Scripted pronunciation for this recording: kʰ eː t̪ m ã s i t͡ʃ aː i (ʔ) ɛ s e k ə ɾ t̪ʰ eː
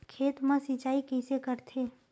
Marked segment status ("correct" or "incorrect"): incorrect